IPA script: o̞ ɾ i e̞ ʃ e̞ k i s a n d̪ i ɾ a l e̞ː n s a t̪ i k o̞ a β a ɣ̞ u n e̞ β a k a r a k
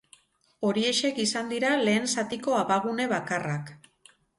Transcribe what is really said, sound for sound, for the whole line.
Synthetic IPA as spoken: o̞ ɾ i e̞ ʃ e̞ k i s a n d̪ i ɾ a l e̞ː n s a t̪ i k o̞ a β a ɣ̞ u n e̞ β a k a r a k